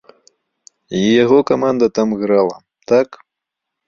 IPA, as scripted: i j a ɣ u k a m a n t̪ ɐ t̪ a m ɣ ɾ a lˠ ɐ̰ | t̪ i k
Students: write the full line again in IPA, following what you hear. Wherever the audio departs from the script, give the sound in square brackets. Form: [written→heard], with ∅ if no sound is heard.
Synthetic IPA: i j a ɣ [u→ɔ] k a m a n [t̪→d̪] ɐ t̪ a m ɣ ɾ a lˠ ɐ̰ | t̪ [i→a] k